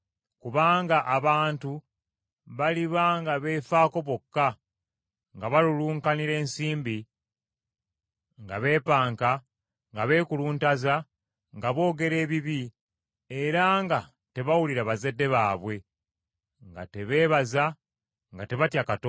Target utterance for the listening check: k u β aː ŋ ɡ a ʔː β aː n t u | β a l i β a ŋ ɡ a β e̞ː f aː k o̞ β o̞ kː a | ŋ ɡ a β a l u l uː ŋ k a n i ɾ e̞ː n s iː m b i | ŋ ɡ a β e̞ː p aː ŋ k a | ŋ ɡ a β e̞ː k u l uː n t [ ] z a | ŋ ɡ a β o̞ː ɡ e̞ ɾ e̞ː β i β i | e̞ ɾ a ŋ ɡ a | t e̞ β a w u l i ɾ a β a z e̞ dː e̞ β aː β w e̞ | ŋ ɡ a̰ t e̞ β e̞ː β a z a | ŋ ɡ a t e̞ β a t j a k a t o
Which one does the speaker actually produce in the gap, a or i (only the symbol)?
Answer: a